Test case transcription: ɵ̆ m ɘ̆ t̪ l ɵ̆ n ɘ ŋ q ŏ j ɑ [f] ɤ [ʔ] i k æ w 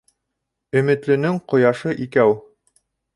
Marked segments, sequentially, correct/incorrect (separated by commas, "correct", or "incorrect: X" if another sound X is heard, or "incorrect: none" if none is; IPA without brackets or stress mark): incorrect: ʃ, correct